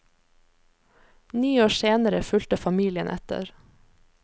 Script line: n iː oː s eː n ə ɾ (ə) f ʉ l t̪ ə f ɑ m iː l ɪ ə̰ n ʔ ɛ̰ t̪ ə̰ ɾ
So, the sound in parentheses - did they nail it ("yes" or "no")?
yes